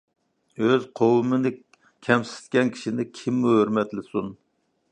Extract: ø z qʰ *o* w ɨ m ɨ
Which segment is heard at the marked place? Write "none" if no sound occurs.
o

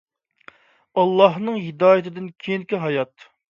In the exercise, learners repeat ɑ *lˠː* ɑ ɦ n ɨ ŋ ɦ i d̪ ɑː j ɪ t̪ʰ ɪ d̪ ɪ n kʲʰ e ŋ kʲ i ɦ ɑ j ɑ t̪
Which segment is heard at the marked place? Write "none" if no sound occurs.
lˠː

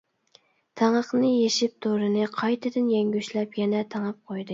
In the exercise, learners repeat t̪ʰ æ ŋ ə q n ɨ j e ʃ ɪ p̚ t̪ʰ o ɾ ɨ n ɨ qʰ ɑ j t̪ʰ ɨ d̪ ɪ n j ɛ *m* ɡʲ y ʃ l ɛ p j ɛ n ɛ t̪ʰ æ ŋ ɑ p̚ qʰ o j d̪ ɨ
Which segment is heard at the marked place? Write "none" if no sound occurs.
ŋ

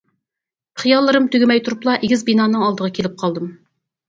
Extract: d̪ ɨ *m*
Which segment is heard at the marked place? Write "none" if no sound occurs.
m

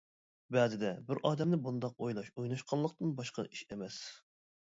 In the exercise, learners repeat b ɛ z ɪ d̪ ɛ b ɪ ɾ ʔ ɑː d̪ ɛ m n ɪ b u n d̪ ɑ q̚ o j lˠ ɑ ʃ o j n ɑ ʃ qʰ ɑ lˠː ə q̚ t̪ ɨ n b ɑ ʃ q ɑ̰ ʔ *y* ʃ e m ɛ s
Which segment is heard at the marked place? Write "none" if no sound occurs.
i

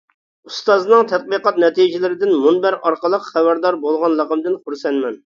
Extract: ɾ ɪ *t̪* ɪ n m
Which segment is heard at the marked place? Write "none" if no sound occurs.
d̪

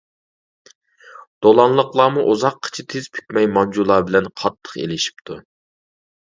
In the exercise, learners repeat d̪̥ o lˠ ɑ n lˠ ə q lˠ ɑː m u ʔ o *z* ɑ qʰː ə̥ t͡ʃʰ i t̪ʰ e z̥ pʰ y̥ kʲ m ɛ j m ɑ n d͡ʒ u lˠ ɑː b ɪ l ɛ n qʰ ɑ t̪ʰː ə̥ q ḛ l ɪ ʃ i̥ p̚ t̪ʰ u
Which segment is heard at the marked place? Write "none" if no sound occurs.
z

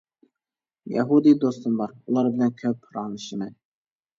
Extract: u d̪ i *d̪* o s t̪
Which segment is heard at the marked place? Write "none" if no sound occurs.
d̪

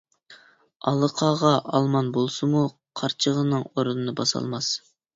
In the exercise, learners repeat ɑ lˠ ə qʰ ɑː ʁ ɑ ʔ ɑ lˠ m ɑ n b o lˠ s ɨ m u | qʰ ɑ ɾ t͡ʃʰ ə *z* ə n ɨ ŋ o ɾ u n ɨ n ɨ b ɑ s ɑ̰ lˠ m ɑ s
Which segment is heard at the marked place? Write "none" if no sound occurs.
ʁ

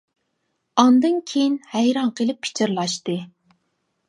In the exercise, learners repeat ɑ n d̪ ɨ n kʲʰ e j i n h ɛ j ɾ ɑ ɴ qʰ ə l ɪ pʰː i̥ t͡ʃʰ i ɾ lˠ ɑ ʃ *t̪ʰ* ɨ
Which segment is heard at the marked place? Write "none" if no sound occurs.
t̪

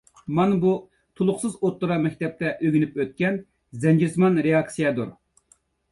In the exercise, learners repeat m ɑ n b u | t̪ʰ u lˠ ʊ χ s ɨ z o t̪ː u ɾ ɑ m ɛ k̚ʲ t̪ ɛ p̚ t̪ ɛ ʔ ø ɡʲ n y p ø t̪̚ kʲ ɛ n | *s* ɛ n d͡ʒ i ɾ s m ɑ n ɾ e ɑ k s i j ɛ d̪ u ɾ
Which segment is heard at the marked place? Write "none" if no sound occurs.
z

